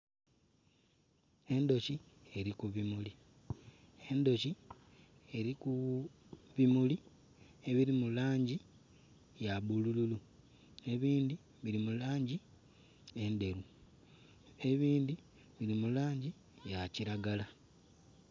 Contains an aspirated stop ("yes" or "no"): no